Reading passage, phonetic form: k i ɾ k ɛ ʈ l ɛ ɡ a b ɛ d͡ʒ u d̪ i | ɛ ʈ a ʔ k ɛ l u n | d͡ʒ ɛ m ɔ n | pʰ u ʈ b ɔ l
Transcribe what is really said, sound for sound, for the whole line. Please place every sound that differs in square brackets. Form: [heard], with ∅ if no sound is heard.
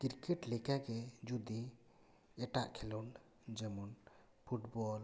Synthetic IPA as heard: k i ɾ k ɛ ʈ l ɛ [k] a [ɡ] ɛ d͡ʒ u d̪ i | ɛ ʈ a ʔ [kʰ] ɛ l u n | d͡ʒ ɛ m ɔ n | pʰ u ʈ b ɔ l